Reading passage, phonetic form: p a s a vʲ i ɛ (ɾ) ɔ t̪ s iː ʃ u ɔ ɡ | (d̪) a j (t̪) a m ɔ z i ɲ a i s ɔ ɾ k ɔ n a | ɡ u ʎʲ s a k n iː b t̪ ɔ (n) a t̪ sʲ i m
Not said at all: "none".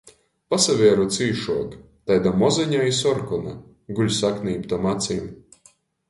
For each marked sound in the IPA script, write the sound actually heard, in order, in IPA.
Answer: ɾ, t̪, d̪, m

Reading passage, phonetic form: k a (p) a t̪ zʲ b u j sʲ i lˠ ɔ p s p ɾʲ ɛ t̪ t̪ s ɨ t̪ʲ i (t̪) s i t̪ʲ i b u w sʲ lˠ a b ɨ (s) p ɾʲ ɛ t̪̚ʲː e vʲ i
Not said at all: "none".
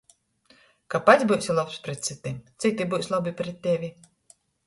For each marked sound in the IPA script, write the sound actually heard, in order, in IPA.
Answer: p, t̪, none

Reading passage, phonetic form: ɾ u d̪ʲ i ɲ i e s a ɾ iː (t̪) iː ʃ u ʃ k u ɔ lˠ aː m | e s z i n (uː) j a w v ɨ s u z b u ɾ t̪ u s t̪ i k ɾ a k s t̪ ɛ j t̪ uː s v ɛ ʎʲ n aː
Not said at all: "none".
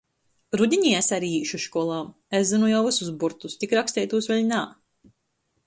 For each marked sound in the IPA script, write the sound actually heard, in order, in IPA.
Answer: none, u

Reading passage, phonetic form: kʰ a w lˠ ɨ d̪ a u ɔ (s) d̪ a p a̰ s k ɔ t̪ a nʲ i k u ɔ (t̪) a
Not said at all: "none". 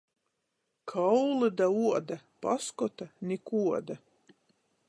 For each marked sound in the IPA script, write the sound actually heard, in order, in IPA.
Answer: none, d̪

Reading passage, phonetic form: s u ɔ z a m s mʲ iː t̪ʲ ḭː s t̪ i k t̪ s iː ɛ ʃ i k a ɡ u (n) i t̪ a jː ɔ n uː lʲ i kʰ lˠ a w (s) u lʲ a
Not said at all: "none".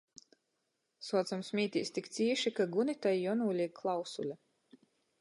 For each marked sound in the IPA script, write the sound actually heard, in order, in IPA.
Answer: n, s

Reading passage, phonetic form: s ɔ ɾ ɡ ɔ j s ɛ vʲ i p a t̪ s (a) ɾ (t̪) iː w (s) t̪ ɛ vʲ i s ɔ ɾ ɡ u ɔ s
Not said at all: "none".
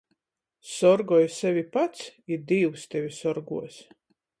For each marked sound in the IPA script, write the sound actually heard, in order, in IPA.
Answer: i, d̪, s

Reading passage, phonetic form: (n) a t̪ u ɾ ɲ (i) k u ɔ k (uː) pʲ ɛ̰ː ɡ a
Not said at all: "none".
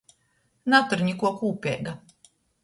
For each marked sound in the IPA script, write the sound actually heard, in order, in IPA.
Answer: n, i, uː

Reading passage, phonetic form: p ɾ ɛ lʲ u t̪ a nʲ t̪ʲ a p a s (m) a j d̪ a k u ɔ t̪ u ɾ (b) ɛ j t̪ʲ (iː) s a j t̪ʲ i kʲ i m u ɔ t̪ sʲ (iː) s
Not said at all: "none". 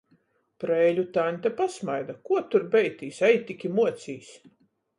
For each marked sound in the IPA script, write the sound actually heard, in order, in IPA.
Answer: m, b, iː, iː

